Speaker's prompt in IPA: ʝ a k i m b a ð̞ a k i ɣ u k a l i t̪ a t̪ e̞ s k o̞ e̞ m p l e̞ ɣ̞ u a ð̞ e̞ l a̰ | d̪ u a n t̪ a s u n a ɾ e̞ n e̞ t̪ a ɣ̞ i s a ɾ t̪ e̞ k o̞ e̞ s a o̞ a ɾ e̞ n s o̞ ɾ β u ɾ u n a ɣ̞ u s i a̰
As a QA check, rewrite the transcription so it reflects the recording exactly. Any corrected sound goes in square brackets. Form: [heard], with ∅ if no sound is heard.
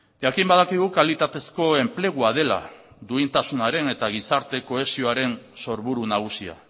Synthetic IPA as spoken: ʝ a k i m b a ð̞ a k i ɣ u k a l i t̪ a t̪ e̞ s k o̞ e̞ m p l e̞ ɣ̞ u a ð̞ e̞ l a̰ | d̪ u [i] n t̪ a s u n a ɾ e̞ n e̞ t̪ a ɣ̞ i s a ɾ t̪ e̞ k o̞ e̞ s [i] o̞ a ɾ e̞ n s o̞ ɾ β u ɾ u n a ɣ̞ u s i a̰

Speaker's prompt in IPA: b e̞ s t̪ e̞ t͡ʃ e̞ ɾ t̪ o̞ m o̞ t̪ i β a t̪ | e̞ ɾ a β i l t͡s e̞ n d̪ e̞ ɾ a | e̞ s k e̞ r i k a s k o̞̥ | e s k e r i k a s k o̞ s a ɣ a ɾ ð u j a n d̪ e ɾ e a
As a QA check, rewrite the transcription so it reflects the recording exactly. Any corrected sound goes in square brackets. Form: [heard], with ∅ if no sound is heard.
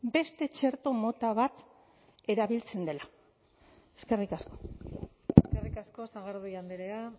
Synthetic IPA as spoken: b e̞ s t̪ e̞ t͡ʃ e̞ ɾ t̪ o̞ m o̞ t̪ [a] β a t̪ | e̞ ɾ a β i l t͡s e̞ n d̪ e̞ [l] a | e̞ s k e̞ r i k a s k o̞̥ | e s k e r i k a s k o̞ s a ɣ a ɾ ð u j a n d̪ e ɾ e a

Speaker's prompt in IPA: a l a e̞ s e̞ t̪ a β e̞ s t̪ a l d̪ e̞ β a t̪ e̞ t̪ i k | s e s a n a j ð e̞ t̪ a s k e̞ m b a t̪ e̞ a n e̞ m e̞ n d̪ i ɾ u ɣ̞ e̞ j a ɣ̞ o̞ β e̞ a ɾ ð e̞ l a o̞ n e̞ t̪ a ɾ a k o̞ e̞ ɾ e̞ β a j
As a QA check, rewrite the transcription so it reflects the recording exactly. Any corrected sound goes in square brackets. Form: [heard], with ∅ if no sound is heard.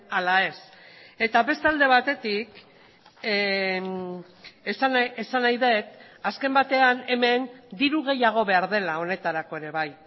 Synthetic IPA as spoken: a l a e̞ s e̞ t̪ a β e̞ s t̪ a l d̪ e̞ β a t̪ e̞ t̪ i k | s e s a n a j ð e̞ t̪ a s k e̞ m b a t̪ e̞ a n e̞ m e̞ n d̪ i ɾ u ɣ̞ e̞ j a ɣ̞ o̞ β e̞ a ɾ ð e̞ l a o̞ n e̞ t̪ a ɾ a k o̞ e̞ ɾ e̞ β a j

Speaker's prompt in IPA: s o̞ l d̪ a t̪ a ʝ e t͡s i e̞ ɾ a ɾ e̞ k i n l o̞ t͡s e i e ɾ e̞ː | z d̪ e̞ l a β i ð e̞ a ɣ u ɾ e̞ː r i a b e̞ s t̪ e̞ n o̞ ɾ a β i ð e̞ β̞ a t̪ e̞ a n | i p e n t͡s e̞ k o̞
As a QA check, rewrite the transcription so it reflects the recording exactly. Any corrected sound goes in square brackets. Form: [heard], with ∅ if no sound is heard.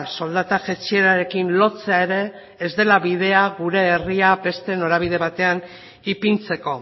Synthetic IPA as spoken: s o̞ l d̪ a t̪ a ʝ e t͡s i e̞ ɾ a ɾ e̞ k i n l o̞ t͡s e [a] e ɾ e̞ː | z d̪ e̞ l a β i ð e̞ a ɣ u ɾ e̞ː r i a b e̞ s t̪ e̞ n o̞ ɾ a β i ð e̞ β̞ a t̪ e̞ a n | i p [i] n t͡s e̞ k o̞

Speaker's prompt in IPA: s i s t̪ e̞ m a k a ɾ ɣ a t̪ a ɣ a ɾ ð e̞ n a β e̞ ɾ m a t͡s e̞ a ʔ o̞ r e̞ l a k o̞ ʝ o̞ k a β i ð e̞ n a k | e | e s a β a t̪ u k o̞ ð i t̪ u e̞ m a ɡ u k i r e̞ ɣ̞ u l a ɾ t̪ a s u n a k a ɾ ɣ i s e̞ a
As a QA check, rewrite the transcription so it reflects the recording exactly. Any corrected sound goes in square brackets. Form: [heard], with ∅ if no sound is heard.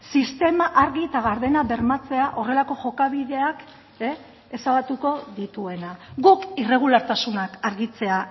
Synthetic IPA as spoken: s i s t̪ e̞ m a [ʔ] a ɾ ɣ [i] t̪ a ɣ a ɾ ð e̞ n a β e̞ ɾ m a t͡s e̞ a ʔ o̞ r e̞ l a k o̞ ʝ o̞ k a β i ð e̞ [∅] a k | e | e s a β a t̪ u k o̞ ð i t̪ u e̞ [n] a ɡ u k i r e̞ ɣ̞ u l a ɾ t̪ a s u n a k a ɾ ɣ i [t͡s] e̞ a

